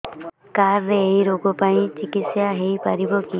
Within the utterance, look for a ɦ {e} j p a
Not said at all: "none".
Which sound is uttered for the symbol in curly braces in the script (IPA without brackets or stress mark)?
e